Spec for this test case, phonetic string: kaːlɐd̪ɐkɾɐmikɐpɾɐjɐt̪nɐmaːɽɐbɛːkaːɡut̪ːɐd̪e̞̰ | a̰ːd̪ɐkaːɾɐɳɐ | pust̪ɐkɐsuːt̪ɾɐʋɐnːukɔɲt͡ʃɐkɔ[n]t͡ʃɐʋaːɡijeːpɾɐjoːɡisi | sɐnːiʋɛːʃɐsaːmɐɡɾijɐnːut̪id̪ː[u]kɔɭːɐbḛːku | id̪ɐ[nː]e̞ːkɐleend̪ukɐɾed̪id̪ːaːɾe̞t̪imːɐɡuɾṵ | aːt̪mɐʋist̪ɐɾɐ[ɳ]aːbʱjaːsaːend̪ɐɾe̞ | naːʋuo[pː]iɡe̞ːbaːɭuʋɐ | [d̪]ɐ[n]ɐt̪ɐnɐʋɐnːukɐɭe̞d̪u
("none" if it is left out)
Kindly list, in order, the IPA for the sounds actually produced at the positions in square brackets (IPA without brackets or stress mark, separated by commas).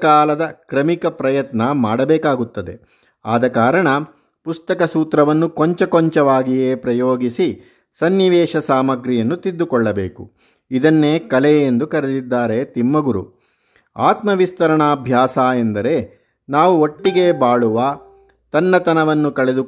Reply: ɲ, u, nː, ɳ, ʈː, t̪, nː